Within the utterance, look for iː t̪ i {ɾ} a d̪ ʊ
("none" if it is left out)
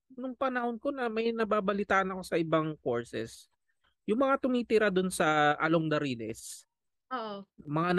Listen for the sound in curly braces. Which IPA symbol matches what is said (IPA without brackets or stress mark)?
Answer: ɾ